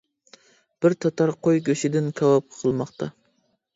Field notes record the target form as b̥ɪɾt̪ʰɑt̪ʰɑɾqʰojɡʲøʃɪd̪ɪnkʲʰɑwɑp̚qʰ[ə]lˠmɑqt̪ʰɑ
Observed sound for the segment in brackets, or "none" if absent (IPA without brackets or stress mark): ə